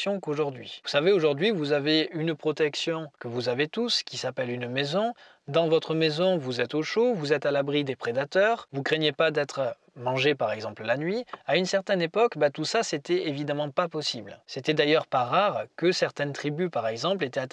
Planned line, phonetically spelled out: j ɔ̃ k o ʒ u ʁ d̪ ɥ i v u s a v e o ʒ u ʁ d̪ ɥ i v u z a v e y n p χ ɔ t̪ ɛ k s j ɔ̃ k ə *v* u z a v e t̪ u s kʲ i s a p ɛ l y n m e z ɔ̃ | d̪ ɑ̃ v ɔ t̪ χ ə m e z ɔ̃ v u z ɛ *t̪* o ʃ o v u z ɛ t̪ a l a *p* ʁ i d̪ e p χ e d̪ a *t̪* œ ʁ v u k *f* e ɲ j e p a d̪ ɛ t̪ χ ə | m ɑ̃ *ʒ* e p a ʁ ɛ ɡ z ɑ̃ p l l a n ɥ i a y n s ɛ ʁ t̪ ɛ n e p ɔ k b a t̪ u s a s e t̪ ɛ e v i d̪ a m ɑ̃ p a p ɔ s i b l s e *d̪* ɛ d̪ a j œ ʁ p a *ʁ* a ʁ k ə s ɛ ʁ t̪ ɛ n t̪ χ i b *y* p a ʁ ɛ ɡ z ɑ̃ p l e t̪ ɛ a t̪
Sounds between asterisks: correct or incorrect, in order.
correct, correct, incorrect: b, correct, incorrect: χ, correct, incorrect: t̪, correct, correct

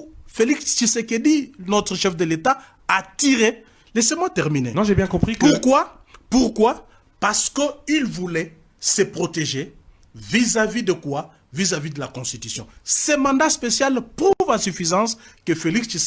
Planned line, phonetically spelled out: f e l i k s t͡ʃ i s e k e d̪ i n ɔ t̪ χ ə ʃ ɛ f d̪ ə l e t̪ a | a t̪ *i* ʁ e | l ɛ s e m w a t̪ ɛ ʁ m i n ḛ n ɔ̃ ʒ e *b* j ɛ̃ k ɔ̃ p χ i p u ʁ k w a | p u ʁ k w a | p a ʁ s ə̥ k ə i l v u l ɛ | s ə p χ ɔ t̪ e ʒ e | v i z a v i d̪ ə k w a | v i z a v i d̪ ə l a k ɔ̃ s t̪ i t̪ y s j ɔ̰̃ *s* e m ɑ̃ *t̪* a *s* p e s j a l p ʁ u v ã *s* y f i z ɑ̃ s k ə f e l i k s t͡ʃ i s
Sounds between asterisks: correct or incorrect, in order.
correct, correct, correct, incorrect: d̪, correct, correct

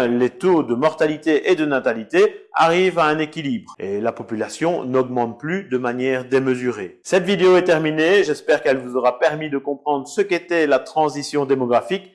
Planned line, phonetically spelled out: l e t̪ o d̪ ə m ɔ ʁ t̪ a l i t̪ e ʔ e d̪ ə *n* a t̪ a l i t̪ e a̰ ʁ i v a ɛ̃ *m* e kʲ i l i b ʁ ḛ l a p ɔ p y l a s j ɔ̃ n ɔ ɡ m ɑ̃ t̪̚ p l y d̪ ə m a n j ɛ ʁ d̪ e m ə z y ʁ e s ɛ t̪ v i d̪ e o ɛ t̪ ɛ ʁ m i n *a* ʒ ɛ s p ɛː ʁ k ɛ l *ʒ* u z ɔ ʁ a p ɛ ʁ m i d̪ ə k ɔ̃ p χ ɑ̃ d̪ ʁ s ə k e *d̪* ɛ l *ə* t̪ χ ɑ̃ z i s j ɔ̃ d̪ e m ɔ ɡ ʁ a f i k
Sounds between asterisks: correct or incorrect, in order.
correct, incorrect: n, incorrect: e, incorrect: v, incorrect: t̪, incorrect: a

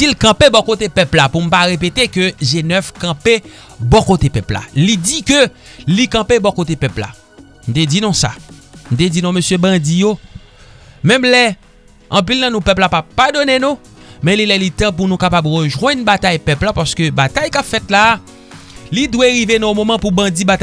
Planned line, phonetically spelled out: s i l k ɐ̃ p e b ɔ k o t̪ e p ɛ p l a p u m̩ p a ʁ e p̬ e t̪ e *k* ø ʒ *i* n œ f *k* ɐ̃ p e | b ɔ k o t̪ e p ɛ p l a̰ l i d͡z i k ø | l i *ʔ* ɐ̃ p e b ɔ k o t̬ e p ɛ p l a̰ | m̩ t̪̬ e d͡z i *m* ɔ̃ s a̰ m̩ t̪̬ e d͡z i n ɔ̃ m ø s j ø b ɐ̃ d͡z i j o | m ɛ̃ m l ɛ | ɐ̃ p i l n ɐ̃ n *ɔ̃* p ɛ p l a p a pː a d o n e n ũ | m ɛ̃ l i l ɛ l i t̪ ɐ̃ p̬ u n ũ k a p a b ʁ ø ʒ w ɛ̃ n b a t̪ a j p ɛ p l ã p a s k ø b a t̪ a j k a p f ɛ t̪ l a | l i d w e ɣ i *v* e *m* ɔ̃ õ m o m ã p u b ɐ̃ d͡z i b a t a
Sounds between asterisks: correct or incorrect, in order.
correct, incorrect: e, correct, incorrect: k, incorrect: n, incorrect: ũ, correct, incorrect: n

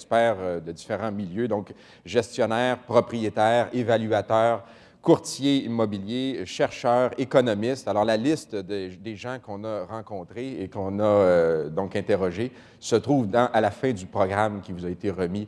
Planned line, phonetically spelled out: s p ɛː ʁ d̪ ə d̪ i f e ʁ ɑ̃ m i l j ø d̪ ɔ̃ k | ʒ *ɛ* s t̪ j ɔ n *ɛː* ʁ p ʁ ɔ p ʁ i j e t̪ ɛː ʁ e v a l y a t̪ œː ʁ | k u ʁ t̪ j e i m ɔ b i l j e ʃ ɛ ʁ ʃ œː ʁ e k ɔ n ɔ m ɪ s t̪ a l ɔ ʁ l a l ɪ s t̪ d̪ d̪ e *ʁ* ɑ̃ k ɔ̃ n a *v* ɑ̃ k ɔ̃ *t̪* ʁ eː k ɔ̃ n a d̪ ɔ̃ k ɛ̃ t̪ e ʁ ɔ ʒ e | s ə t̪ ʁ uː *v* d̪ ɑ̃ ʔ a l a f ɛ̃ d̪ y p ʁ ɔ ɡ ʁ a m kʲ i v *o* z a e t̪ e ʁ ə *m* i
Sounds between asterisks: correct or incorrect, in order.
correct, correct, incorrect: ʒ, incorrect: ʁ, correct, correct, incorrect: u, correct

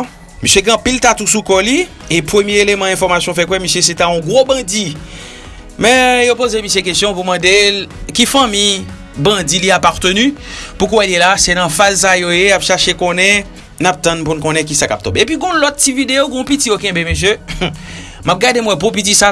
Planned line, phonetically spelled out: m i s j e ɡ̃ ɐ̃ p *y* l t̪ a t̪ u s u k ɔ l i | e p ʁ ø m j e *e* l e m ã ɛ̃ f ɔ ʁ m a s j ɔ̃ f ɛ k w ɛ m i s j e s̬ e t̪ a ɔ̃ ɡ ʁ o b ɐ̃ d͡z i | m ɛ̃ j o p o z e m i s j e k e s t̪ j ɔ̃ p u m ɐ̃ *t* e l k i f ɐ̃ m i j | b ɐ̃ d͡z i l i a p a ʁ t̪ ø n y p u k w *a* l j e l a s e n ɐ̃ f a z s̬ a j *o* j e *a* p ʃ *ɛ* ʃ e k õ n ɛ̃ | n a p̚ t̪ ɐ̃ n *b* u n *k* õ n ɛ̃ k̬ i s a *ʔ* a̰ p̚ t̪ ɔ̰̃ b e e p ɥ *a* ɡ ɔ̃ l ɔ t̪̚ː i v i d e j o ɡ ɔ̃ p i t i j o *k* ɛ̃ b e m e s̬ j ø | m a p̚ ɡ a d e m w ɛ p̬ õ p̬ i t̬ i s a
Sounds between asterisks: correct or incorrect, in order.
incorrect: i, correct, incorrect: d, incorrect: ɛ, correct, correct, incorrect: a, incorrect: p, correct, incorrect: k, incorrect: i, correct

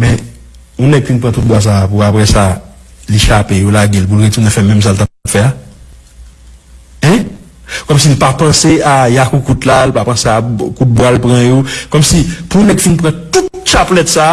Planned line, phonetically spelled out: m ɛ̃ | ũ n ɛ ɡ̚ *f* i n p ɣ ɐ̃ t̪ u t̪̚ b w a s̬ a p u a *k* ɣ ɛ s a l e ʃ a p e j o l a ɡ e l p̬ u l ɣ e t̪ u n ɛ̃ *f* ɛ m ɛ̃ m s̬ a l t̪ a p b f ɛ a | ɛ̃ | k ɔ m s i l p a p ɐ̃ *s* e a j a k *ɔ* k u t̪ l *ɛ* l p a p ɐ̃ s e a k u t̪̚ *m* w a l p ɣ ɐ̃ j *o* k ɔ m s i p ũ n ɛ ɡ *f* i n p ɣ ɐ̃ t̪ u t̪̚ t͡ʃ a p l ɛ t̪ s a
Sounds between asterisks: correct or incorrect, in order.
correct, incorrect: p, correct, correct, incorrect: u, incorrect: a, incorrect: b, correct, correct

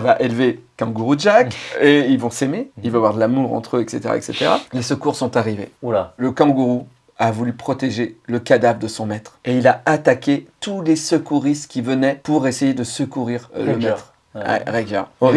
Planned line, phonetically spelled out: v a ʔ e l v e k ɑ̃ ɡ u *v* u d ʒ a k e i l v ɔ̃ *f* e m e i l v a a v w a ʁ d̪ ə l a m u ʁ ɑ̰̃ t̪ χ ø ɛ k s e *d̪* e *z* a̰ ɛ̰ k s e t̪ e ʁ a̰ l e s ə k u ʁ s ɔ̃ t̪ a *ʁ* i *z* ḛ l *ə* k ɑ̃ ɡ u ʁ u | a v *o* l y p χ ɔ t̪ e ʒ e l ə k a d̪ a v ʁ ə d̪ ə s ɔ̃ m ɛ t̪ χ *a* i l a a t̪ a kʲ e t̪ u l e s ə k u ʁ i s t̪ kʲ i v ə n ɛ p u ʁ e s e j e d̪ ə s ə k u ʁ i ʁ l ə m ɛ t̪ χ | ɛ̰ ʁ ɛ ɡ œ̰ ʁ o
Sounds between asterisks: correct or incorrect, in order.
incorrect: ʁ, incorrect: s, incorrect: t̪, incorrect: ʁ, correct, incorrect: v, correct, incorrect: u, incorrect: e

